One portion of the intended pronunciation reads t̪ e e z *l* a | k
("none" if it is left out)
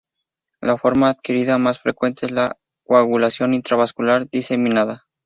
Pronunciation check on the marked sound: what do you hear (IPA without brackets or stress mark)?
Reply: l